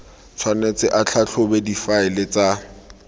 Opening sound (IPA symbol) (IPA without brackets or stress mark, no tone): t͡sʰ